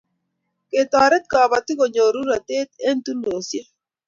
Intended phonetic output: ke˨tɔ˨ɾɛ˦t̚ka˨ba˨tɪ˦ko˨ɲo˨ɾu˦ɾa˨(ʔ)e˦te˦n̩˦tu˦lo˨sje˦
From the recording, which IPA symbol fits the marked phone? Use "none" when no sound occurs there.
t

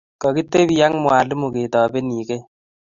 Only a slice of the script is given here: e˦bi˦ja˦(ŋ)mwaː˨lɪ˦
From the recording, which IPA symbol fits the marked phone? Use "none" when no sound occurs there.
ŋ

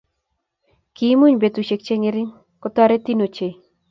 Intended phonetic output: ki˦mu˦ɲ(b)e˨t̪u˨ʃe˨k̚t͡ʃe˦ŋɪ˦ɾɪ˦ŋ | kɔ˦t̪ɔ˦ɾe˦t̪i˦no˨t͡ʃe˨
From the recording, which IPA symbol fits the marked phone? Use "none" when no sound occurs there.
b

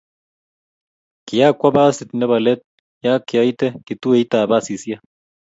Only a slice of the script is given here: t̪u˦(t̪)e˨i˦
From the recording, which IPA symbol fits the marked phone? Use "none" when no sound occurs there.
none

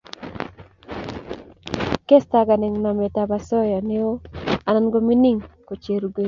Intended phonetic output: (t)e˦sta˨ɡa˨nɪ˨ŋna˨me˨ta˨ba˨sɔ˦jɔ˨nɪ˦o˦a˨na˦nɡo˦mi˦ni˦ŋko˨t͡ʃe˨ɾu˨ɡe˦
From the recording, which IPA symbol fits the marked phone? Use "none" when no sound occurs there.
k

